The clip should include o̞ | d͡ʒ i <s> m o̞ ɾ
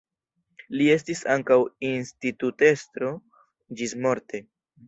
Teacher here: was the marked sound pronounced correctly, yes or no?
yes